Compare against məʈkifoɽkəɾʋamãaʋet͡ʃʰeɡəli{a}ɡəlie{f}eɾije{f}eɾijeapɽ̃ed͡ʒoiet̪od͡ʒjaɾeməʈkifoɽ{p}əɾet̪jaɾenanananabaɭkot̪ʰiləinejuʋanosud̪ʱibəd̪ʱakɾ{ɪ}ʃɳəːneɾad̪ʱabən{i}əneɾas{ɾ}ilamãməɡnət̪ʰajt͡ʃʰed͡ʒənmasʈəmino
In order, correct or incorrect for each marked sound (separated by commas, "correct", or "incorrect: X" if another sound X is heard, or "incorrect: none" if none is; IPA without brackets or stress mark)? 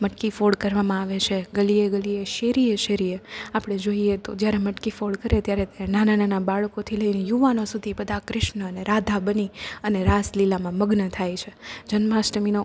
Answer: incorrect: e, incorrect: ʃ, incorrect: ʃ, incorrect: k, correct, correct, incorrect: l